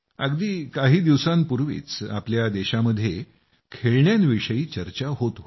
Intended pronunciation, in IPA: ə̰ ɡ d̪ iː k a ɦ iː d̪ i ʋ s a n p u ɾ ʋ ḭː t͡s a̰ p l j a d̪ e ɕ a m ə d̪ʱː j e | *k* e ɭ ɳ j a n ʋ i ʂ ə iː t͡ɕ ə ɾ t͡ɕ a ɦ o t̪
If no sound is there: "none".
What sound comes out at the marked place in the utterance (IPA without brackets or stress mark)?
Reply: kʰ